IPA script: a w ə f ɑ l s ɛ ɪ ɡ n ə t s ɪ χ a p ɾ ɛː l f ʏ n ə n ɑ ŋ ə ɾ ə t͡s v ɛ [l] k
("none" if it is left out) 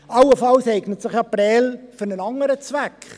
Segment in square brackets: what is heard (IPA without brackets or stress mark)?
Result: none